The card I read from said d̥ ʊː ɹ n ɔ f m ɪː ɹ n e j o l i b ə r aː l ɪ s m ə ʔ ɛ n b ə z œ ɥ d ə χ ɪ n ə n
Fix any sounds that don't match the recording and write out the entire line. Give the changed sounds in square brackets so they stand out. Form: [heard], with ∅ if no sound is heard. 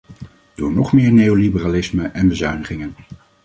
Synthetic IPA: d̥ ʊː ɹ n ɔ [χ] m ɪː ɹ n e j o l i b ə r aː l ɪ s m ə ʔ ɛ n b ə z œ ɥ [n] ə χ ɪ [ŋ] ə n